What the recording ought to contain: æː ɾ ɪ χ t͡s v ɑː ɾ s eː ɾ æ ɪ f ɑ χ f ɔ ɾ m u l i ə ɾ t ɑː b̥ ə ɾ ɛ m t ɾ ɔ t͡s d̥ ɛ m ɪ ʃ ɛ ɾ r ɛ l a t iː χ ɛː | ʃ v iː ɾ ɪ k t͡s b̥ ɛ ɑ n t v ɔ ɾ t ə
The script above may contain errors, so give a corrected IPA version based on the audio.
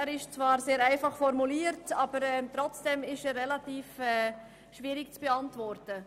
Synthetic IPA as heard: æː ɾ ɪ ʃ t͡s v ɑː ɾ s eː ɾ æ ɪ f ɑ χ f ɔ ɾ m u l iː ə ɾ t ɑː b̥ ə ɾ ɛ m t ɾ ɔ t͡s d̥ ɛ m ɪ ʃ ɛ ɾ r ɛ l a t iː f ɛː | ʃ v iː ɾ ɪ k t͡s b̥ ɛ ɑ n t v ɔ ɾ t ə